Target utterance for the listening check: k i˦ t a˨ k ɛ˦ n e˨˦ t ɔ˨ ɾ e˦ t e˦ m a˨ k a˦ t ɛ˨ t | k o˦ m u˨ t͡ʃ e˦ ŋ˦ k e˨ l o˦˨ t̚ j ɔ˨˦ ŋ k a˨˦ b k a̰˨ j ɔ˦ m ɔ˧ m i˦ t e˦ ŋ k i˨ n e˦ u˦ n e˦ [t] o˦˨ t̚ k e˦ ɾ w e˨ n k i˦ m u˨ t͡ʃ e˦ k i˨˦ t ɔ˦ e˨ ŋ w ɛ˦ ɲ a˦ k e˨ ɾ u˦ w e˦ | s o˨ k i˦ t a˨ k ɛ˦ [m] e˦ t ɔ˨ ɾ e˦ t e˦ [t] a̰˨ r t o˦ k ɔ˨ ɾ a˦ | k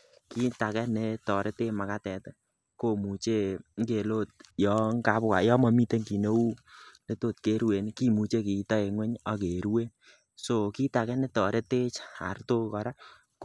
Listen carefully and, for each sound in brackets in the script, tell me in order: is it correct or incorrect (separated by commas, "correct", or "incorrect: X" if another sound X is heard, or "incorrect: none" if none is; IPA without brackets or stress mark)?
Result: correct, incorrect: n, incorrect: t͡ʃ